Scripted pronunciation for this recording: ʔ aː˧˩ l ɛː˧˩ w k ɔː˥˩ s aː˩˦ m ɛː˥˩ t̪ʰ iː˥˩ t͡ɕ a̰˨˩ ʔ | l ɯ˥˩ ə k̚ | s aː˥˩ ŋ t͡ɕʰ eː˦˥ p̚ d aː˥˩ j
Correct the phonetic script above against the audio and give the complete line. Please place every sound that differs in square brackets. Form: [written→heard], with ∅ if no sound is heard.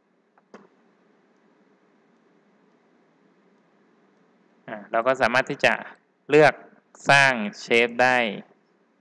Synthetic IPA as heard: ʔ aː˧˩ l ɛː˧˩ w k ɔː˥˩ s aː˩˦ m [ɛː˥˩→aː˥˩] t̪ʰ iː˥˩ t͡ɕ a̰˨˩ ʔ | l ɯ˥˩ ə k̚ | s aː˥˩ ŋ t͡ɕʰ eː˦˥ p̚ d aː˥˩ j